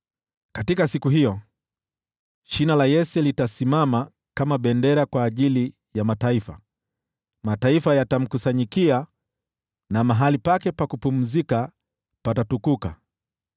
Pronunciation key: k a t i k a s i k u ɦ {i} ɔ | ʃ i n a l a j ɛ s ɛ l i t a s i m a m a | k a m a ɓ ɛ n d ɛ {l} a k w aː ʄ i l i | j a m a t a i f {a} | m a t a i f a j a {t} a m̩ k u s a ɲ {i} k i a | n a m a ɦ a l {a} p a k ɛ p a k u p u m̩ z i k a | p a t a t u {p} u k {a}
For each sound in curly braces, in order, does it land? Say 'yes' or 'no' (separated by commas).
yes, no, yes, yes, yes, no, no, yes